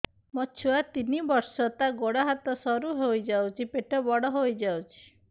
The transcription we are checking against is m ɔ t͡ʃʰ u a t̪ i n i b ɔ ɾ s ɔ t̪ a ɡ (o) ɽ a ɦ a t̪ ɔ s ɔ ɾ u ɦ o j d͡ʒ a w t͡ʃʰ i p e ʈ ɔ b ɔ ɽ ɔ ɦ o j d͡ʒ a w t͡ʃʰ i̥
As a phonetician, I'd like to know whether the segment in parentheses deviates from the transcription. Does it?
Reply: no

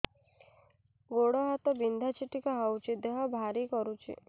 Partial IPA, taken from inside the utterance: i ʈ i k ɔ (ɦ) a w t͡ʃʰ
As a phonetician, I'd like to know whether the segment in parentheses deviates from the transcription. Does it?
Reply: no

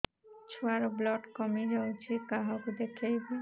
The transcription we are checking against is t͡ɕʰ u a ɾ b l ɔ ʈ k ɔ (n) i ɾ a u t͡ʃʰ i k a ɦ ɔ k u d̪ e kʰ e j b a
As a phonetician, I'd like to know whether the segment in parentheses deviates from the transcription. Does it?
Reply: yes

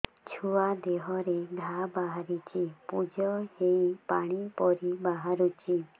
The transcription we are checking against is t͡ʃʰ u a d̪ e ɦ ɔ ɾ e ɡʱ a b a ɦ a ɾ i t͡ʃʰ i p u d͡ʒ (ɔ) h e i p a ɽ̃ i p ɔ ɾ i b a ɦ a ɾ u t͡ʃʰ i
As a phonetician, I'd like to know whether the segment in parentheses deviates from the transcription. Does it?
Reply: no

